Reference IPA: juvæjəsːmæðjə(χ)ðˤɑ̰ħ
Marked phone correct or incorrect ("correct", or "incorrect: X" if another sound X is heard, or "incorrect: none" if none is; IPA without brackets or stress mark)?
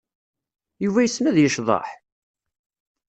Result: incorrect: ʃ